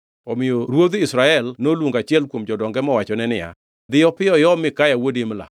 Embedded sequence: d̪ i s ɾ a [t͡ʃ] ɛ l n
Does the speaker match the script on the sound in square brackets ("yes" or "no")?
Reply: no